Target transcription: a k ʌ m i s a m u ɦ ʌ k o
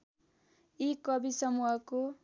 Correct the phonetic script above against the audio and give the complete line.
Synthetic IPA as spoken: i k ʌ b i s ʌ m u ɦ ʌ k o